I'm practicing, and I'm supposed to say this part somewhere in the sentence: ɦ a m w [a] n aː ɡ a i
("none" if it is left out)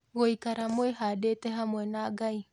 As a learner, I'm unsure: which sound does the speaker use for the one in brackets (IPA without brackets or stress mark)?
ɛ